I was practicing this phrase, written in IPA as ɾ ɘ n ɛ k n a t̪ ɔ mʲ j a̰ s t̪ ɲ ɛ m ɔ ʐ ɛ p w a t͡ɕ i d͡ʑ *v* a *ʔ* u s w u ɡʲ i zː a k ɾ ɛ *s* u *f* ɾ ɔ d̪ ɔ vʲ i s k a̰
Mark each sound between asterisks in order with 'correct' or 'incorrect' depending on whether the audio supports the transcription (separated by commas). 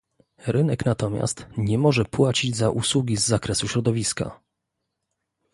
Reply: incorrect, correct, correct, incorrect